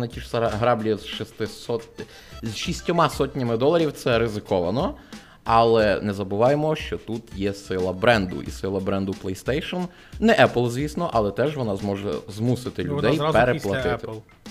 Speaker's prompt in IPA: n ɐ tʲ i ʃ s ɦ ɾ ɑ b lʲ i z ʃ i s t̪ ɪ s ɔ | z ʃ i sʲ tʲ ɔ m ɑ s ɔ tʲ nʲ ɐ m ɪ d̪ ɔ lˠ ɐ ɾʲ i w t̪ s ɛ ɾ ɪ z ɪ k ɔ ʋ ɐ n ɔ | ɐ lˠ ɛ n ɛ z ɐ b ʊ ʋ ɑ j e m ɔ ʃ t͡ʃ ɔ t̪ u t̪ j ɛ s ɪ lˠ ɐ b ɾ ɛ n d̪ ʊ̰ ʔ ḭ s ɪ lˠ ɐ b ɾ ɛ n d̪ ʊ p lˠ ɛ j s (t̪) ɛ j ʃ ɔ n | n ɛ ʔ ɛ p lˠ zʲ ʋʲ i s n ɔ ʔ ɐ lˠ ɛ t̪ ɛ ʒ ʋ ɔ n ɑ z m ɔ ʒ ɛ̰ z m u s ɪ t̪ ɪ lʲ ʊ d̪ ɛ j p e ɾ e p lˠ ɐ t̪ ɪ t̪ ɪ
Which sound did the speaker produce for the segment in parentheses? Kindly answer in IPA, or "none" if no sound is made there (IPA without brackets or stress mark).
t̪